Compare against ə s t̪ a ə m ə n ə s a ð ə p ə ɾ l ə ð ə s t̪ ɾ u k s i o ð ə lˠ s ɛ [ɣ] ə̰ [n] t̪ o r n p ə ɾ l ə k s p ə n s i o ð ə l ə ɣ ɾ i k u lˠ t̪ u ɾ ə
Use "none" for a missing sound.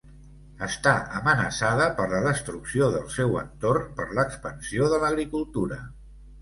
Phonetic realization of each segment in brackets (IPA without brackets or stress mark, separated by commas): w, n